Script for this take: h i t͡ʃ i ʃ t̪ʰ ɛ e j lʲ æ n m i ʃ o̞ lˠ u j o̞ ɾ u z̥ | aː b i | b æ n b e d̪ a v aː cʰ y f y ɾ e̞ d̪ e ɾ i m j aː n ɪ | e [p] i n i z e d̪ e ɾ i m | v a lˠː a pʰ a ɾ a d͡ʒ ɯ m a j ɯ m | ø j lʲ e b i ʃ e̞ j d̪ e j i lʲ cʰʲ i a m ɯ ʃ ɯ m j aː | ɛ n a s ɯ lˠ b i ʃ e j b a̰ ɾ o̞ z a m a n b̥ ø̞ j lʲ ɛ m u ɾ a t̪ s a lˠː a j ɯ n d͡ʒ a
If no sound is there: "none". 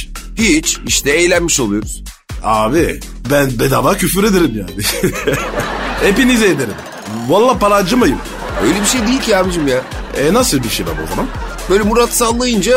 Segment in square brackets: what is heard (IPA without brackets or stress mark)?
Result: p